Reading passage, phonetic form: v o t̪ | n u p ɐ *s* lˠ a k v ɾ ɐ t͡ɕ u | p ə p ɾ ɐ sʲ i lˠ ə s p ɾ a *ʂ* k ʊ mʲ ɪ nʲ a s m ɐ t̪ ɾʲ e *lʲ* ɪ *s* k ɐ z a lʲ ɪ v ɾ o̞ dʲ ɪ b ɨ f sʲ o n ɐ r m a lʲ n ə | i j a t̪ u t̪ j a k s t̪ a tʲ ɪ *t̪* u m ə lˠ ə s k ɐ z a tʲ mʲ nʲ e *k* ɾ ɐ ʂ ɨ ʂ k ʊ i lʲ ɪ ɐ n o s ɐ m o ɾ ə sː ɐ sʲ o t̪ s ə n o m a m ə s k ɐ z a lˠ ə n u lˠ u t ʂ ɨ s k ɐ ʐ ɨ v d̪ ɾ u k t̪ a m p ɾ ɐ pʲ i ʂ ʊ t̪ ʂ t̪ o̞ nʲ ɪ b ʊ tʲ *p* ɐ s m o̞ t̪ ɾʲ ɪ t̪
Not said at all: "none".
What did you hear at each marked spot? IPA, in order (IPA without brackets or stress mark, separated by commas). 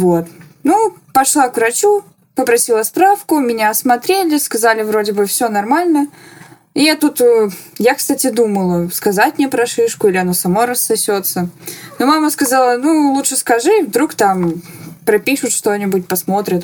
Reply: ʂ, f, lʲ, s, d̪, p, p